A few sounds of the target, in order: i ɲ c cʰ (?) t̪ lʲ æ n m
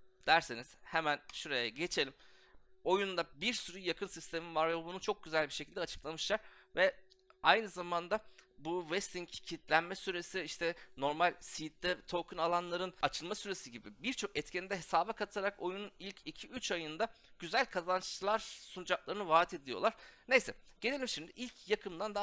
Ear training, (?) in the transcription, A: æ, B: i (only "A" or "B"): B